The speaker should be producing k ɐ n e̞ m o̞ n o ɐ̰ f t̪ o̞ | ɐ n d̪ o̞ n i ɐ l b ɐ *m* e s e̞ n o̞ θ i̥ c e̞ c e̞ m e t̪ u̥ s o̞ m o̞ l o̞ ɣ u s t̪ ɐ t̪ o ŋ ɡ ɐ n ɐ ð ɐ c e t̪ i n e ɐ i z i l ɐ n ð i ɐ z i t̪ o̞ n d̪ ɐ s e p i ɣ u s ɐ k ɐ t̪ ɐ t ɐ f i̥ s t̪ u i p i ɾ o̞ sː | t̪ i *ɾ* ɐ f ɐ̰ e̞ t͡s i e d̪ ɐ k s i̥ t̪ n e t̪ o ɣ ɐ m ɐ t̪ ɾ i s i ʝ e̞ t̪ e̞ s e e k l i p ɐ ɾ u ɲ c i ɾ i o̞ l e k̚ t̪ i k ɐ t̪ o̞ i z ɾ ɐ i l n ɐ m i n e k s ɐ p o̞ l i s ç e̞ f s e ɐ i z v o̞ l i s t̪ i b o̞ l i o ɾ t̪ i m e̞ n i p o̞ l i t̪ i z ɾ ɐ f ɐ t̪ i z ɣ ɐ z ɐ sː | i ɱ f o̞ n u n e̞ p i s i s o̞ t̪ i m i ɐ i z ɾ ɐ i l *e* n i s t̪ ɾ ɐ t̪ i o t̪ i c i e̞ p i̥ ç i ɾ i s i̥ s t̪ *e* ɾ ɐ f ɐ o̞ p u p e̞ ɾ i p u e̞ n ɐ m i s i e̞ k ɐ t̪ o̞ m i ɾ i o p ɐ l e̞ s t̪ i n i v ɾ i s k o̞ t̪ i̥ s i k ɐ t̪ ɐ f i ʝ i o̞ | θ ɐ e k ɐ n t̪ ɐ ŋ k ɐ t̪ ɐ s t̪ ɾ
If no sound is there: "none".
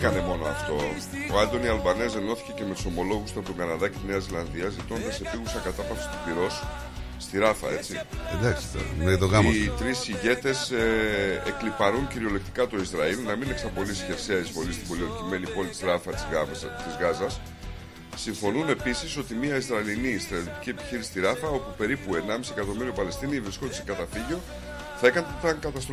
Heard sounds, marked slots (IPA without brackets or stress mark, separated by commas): n, ɾ, i, i